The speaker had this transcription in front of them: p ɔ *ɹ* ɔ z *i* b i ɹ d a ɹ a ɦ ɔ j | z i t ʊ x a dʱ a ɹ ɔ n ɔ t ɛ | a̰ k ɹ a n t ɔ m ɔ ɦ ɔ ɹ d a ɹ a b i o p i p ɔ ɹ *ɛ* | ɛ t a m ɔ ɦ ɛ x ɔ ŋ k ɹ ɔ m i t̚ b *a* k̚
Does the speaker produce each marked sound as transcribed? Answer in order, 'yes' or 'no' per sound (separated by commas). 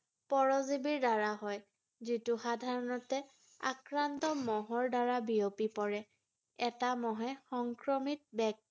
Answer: yes, yes, yes, no